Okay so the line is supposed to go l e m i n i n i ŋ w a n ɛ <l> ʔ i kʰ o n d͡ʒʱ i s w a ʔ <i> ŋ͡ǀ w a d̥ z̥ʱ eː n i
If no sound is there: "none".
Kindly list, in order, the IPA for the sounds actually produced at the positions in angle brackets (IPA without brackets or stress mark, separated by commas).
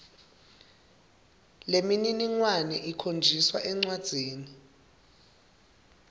none, ɛ